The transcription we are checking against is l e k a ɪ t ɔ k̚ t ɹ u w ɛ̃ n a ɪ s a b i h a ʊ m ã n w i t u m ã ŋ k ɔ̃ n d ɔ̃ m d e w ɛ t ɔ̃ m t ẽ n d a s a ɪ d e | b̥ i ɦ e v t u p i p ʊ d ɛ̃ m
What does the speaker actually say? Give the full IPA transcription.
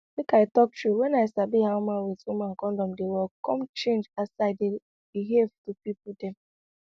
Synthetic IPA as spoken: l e k a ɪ t ɔ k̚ t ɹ u w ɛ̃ n a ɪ s a b i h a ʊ m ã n w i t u m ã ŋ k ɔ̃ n d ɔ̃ m d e w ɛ k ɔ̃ m t͡ʃ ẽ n d͡ʒ a s a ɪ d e | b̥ i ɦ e v t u p i p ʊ d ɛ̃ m

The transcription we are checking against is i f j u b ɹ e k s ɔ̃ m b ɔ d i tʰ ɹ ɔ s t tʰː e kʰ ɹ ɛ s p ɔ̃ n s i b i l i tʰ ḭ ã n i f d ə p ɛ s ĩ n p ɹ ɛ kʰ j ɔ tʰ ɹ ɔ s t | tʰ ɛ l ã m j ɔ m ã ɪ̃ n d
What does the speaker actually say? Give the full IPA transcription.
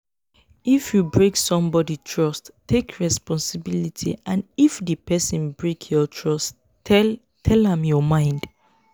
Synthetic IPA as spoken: i f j u b ɹ e k s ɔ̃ m b ɔ d i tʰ ɹ ɔ s t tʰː e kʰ ɹ ɛ s p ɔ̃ n s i b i l i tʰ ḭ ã n i f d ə p ɛ s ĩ n b ɹ e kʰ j ɔ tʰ ɹ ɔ s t | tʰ ɛ l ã m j ɔ m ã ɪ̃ n d

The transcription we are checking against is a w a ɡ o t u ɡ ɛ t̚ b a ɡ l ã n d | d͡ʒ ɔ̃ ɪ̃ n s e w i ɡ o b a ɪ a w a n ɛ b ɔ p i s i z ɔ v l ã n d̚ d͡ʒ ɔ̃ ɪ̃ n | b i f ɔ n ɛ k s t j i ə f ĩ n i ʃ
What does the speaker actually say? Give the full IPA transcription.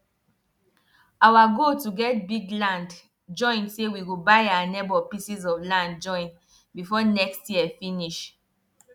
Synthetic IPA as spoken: a w a ɡ o t u ɡ ɛ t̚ b i ɡ l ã n d | d͡ʒ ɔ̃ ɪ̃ n s e w i ɡ o b a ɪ a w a n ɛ b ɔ p i s i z ɔ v l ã n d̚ d͡ʒ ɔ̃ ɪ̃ n | b i f ɔ n ɛ k s t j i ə f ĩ n i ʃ

